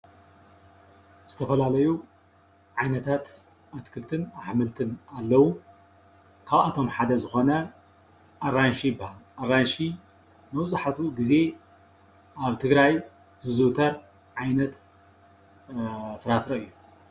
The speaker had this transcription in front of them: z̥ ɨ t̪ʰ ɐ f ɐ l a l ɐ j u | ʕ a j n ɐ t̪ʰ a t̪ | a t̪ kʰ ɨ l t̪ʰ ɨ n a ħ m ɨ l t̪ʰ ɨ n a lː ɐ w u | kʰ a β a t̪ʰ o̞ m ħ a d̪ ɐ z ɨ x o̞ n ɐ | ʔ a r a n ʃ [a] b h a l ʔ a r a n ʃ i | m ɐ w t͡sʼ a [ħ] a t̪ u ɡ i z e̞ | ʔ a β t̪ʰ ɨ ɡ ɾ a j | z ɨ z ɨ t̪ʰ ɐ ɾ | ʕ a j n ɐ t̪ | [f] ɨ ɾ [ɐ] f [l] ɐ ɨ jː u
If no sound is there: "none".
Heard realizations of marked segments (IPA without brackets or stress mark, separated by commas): i, ħ, f, a, ɾ